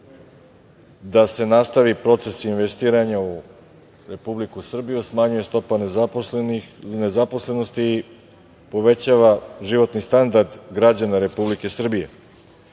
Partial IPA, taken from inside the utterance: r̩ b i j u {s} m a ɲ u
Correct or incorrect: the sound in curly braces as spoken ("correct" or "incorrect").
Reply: correct